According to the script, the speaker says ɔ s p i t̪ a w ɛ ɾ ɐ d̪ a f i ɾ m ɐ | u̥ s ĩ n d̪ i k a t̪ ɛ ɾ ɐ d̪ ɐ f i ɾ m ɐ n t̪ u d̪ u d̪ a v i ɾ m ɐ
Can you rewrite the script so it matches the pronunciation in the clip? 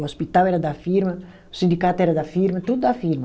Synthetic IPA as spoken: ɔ s p i t̪ a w ɛ ɾ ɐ d̪ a f i ɾ m ɐ | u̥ s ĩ n d̪ i k a t̪ ɛ ɾ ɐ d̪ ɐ f i ɾ m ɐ t̪ u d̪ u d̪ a f i ɾ m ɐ

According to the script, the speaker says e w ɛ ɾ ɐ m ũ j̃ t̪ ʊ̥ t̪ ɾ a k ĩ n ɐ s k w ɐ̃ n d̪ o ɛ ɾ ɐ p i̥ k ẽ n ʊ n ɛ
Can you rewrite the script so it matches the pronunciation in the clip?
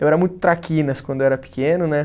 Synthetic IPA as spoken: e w ɛ ɾ ɐ m ũ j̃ t̪ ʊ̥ t̪ ɾ a k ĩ n ɐ s k w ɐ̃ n d̪ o ɛ ɾ ɐ p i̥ k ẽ n ʊ n ɛ

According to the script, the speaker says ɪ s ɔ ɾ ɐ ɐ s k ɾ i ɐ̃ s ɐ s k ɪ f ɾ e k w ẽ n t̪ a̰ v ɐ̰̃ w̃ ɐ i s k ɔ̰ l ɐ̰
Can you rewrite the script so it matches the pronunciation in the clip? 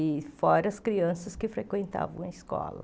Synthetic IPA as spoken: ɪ f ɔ ɾ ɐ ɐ s k ɾ i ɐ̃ s ɐ s k ɪ f ɾ e k w ẽ n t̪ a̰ v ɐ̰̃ w̃ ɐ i s k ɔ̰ l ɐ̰

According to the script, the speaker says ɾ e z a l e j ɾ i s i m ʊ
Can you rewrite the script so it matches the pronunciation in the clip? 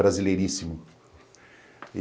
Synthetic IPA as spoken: ɾ a z i l e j ɾ i s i m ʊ

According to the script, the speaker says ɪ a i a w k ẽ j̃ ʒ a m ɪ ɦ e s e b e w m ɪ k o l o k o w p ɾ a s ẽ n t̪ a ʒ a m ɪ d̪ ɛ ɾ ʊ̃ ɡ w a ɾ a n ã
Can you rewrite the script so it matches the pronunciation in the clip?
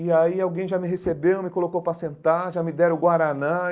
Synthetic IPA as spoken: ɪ a i a w ɡ ẽ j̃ ʒ a m ɪ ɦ e s e b e w m ɪ k o l o k o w p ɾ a s ẽ n t̪ a ʒ a m ɪ d̪ ɛ ɾ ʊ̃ ɡ w a ɾ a n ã

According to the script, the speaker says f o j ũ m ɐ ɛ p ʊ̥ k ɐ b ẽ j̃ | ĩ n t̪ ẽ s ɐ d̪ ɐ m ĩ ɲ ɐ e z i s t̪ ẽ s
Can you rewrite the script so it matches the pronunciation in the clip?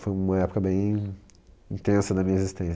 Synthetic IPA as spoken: f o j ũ m ɐ ɛ p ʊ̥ k ɐ b ẽ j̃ | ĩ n t̪ ẽ s ɐ d̪ ɐ m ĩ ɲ ɐ e z i s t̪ ẽ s

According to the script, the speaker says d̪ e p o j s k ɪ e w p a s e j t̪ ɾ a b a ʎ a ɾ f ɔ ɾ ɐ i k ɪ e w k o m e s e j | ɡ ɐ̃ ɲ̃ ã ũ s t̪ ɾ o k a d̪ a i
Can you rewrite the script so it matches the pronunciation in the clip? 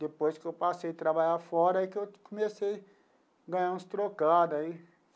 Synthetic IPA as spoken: d̪ e p o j s k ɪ e w p a s e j t̪ ɾ a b a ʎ a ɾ f ɔ ɾ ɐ i k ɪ e w k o m e s e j | ɡ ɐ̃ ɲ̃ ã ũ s t̪ ɾ o k a d̪ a i

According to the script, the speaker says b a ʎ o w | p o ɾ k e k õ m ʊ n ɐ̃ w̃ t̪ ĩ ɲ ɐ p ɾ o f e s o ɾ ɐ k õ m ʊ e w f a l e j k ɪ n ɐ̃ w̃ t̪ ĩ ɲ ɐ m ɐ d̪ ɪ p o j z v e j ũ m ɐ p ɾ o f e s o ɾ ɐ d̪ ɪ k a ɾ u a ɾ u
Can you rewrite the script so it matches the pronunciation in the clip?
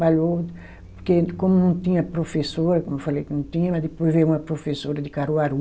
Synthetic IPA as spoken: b a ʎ o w | p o ɾ k e k õ m ʊ n ɐ̃ w̃ t̪ ĩ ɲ ɐ p ɾ o f e s o ɾ ɐ k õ m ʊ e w f a l e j k ɪ n ɐ̃ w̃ t̪ ĩ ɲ ɐ m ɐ d̪ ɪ p o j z v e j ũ m ɐ p ɾ o f e s o ɾ ɐ d̪ ɪ k a ɾ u a ɾ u

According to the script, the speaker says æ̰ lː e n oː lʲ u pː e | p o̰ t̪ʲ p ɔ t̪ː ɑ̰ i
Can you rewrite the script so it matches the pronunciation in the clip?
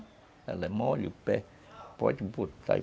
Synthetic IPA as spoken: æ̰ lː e m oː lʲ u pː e | p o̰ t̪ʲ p u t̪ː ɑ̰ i

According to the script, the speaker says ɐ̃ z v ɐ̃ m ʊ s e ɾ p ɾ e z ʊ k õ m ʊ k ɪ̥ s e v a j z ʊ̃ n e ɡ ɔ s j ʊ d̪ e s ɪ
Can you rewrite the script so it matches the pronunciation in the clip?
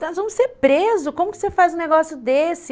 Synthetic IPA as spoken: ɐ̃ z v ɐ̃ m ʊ s e ɾ p ɾ e z ʊ k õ m ʊ k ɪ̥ s e f a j z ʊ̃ n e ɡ ɔ s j ʊ d̪ e s ɪ

